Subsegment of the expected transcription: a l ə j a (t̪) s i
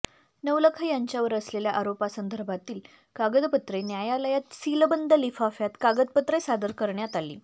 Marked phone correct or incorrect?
correct